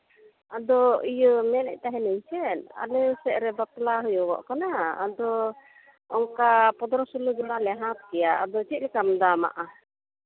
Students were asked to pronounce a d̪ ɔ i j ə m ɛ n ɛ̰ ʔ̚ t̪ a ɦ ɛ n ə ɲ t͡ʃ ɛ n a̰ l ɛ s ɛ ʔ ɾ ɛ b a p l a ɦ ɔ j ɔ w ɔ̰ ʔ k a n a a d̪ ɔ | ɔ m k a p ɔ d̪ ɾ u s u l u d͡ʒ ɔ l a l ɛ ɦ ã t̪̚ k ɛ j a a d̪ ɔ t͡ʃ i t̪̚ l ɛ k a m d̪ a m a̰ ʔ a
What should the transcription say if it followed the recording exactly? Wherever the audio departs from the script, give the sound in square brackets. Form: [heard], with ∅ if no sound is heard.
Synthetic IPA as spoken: a d̪ ɔ i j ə m ɛ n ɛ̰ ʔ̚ t̪ a ɦ ɛ n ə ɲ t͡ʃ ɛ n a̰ l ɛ s ɛ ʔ ɾ ɛ b a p l a ɦ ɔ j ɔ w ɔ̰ ʔ k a n a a d̪ ɔ | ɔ [ŋ] k a p ɔ d̪ ɾ [ɔ] s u l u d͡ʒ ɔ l a l ɛ ɦ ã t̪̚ k ɛ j a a d̪ ɔ t͡ʃ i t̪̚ l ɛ k a m d̪ a m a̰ ʔ a